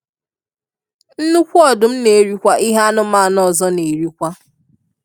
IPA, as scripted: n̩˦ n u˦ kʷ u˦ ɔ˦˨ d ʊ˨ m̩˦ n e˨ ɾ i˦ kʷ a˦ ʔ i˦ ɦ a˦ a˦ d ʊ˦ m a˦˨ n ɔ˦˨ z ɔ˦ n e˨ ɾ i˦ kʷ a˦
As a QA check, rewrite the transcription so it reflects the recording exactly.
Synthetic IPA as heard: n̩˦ n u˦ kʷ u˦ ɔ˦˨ d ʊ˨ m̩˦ n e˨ ɾ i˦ kʷ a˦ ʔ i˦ ɦ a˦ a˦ n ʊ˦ m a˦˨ n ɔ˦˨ z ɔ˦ n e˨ ɾ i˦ kʷ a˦